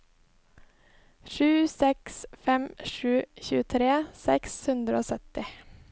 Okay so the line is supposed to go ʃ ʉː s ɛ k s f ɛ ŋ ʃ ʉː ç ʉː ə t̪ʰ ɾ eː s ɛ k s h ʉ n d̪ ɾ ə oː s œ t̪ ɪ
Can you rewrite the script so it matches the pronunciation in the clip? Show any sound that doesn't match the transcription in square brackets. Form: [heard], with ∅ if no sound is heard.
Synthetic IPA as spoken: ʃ ʉː s ɛ k s f ɛ [m] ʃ ʉː ç ʉː ə t̪ʰ ɾ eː s ɛ k s h ʉ n d̪ ɾ ə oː s œ t̪ ɪ